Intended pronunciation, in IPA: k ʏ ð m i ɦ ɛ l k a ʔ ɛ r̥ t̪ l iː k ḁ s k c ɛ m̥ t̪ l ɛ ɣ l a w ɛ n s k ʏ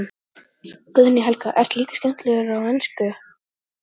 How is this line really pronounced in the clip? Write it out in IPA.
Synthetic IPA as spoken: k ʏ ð n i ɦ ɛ l k a ʔ ɛ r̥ t̪ l iː k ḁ s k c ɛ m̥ t̪ l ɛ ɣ ɾ a w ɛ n s k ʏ